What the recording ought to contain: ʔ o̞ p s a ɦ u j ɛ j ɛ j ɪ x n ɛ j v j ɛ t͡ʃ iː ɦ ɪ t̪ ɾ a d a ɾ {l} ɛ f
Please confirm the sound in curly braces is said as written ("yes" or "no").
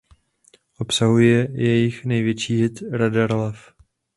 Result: yes